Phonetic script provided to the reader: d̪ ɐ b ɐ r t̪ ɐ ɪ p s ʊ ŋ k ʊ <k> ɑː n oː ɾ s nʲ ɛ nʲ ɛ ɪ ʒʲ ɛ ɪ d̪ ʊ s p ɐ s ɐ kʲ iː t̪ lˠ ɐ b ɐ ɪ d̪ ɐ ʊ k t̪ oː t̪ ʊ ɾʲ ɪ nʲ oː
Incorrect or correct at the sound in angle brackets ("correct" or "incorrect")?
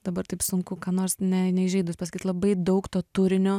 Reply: correct